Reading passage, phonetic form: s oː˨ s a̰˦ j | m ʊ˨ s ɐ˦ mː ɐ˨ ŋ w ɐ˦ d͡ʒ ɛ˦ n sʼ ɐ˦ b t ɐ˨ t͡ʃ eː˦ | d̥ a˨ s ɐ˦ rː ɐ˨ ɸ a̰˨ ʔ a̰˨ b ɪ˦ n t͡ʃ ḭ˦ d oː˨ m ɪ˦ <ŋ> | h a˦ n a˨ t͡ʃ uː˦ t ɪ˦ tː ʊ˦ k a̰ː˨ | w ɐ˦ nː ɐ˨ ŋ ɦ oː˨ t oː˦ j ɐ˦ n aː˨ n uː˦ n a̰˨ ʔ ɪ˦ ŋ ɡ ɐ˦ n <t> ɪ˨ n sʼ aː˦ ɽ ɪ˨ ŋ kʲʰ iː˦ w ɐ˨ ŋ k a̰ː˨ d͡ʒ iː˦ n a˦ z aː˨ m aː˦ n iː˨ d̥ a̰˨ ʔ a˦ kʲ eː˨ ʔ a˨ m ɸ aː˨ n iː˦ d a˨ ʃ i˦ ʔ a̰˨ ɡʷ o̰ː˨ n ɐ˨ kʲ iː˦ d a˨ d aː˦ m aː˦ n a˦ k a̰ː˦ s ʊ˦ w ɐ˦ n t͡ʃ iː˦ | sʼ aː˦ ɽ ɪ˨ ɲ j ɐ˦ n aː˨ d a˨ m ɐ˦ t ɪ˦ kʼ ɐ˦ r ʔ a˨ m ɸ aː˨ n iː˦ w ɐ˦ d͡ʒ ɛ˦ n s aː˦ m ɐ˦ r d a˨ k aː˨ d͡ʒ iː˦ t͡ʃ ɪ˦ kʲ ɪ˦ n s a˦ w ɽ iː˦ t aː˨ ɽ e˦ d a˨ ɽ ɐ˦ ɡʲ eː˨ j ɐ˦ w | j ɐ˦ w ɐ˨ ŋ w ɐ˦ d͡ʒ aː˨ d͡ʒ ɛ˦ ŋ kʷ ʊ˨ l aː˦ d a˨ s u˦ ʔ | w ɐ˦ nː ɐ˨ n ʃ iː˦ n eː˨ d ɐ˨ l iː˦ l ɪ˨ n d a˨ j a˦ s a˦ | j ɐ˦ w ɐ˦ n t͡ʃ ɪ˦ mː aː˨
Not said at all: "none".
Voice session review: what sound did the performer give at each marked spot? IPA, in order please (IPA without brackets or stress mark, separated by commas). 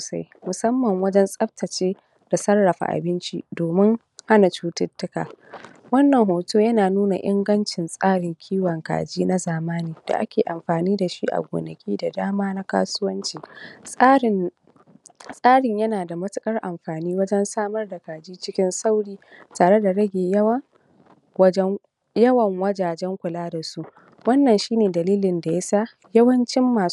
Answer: ŋ, t͡ʃ